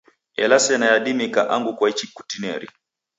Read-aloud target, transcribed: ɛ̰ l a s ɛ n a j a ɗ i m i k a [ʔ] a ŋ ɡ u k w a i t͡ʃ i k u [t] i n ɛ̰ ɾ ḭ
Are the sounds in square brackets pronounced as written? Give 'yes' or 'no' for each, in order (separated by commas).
yes, yes